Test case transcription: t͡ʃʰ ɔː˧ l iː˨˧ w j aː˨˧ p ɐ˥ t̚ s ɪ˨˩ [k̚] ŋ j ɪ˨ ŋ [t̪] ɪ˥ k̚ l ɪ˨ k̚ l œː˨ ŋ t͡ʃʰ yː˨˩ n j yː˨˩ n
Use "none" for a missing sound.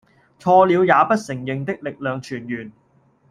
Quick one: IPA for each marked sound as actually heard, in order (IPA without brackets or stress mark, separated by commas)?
none, t̪